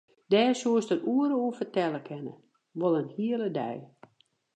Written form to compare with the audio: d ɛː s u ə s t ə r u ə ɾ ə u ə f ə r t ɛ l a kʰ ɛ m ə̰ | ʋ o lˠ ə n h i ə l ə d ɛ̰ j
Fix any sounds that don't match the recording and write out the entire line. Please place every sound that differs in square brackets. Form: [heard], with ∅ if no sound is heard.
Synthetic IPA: d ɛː s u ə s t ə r u ə ɾ ə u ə f ə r t ɛ l [ə] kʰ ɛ [n] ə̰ | ʋ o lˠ ə n h i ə l ə d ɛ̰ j